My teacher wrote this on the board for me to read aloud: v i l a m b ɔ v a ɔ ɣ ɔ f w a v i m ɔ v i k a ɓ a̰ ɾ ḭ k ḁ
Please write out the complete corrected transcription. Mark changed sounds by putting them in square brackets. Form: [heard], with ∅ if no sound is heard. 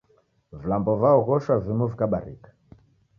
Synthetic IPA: v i l a m b ɔ v a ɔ ɣ ɔ [ʃ] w a v i m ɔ v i k a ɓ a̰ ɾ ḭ k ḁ